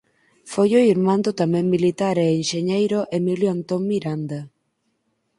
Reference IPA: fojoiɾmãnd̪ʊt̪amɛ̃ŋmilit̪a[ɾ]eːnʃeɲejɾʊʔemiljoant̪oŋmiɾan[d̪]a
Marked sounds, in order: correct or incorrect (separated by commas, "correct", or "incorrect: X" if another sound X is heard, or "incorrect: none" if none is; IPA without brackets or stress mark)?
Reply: correct, correct